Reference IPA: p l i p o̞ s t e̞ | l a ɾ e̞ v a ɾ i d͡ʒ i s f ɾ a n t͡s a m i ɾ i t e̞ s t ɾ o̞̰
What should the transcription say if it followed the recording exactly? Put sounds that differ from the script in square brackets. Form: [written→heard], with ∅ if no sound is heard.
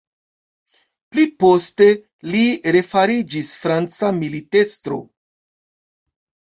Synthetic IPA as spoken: p l i p o̞ s t e̞ | l [a→i] ɾ e̞ [v→f] a ɾ i d͡ʒ i s f ɾ a n t͡s a m i [ɾ→l] i t e̞ s t ɾ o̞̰